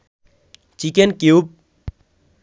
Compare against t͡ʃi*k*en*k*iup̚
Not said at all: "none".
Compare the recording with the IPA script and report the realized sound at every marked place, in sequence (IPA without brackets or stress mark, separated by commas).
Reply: k, k